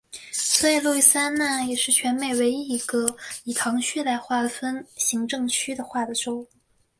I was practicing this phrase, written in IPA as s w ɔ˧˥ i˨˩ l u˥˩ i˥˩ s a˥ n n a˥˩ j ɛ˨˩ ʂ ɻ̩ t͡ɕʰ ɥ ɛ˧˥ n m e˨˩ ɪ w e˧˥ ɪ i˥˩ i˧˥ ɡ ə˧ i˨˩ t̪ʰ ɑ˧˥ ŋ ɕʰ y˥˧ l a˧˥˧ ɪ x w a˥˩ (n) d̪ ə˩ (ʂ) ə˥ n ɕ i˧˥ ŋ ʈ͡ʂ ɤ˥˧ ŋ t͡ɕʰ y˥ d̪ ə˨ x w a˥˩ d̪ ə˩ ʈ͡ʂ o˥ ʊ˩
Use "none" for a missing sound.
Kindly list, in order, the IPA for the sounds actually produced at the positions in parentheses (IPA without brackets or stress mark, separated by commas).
none, f